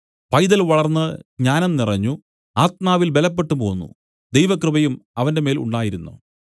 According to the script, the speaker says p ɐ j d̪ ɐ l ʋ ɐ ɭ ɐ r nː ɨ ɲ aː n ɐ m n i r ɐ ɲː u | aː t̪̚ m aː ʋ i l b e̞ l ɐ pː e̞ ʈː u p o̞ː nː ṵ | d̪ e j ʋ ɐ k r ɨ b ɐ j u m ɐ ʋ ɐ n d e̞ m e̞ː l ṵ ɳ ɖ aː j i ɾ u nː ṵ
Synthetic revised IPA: p ɐ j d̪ ɐ l ʋ ɐ ɭ ɐ r nː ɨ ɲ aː n ɐ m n i r ɐ ɲː u | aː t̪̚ m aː ʋ i l b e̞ l ɐ pː e̞ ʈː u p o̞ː nː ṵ | d̪ e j ʋ ɐ k r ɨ b ɐ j u m ɐ ʋ ɐ n d e̞ m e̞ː l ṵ ɳ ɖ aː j i ɾ u nː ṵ